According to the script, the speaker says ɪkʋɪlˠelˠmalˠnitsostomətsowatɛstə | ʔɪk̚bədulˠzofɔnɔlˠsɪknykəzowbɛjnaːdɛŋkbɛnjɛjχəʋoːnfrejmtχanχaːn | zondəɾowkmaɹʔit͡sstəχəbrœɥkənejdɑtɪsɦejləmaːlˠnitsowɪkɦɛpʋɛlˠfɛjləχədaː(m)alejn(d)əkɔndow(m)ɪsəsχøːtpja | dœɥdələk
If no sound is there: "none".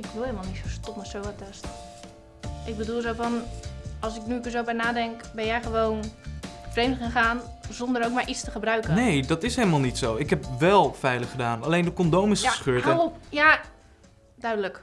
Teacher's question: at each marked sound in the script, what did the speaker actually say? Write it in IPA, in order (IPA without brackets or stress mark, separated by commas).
n, d, m